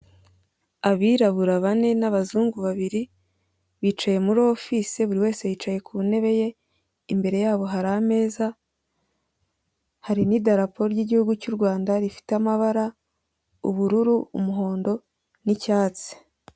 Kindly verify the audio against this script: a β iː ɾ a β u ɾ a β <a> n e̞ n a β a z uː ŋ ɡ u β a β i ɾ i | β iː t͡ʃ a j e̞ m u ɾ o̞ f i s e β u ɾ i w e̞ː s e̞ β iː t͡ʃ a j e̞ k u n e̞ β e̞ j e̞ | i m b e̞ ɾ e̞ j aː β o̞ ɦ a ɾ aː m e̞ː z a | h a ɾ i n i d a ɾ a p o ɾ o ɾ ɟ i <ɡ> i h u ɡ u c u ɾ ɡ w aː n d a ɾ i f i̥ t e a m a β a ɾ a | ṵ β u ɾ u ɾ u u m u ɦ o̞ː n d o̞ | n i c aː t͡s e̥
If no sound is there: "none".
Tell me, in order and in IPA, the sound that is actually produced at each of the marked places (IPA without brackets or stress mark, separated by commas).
a, ɟ